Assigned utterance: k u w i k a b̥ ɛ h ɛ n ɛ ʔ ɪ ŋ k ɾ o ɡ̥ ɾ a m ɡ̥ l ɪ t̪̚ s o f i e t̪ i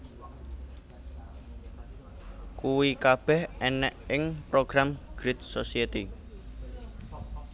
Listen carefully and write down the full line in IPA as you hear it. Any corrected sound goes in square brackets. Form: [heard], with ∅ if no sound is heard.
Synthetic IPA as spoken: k u w i k a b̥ ɛ h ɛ n ɛ ʔ ɪ ŋ [p] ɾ o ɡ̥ ɾ a m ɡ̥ [ɾ] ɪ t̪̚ s o [s] i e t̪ i